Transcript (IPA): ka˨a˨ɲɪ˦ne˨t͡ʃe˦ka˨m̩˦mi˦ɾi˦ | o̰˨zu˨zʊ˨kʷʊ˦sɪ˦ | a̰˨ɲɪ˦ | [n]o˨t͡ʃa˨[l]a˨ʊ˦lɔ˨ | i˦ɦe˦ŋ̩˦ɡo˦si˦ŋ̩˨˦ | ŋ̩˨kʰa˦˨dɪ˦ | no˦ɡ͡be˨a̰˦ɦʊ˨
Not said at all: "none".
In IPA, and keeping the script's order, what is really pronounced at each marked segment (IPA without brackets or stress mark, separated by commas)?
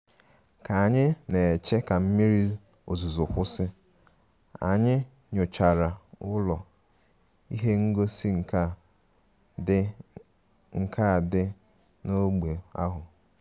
ɲ, ɾ